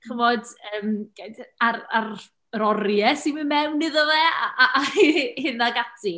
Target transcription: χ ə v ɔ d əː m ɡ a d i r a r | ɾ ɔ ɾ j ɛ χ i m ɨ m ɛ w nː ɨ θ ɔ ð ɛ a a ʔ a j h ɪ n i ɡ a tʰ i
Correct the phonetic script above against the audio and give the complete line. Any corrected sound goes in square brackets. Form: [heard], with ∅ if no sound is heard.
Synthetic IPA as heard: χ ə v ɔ d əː m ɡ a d [a] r a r | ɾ ɔ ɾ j ɛ [s] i m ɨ m ɛ w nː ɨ [ð] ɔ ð ɛ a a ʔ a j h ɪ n [a] ɡ a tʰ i